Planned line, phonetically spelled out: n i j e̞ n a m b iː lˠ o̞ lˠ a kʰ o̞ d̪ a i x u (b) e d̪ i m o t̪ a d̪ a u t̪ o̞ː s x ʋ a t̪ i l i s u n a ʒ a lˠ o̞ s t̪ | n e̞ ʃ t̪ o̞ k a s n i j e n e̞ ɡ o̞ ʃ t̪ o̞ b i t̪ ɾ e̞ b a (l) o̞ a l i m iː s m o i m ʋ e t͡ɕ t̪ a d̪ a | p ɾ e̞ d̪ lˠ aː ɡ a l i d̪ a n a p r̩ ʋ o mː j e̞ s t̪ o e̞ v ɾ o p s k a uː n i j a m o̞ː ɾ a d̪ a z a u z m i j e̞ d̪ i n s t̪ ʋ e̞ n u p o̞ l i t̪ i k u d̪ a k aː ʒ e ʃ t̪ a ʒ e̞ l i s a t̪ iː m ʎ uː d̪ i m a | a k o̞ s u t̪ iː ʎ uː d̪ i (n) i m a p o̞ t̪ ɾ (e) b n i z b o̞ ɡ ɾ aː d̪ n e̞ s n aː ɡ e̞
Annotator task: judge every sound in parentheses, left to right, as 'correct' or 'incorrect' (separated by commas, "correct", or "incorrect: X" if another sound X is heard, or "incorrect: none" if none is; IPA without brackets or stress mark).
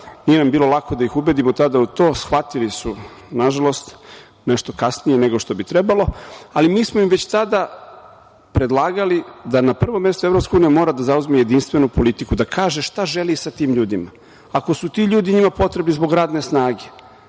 correct, correct, incorrect: ɲ, correct